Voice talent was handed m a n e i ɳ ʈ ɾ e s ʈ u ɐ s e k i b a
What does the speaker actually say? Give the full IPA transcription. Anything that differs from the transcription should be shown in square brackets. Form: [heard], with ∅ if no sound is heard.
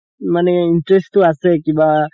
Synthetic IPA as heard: m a n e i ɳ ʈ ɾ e s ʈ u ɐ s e k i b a